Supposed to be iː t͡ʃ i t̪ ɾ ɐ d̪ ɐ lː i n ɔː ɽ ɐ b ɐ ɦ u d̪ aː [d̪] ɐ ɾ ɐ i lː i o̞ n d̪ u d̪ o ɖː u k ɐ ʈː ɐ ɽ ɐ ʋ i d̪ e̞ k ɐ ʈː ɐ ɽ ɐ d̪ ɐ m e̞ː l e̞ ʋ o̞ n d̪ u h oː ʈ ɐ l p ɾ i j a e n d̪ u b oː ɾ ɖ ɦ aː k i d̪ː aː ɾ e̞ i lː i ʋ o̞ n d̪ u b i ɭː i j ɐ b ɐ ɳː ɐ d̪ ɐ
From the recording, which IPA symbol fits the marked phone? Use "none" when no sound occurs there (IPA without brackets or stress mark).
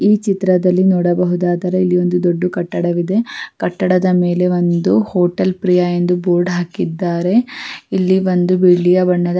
d̪